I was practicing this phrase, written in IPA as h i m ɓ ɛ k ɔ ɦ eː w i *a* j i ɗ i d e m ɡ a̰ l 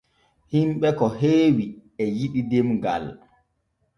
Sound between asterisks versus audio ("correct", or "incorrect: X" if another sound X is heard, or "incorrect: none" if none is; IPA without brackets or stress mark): incorrect: ɛ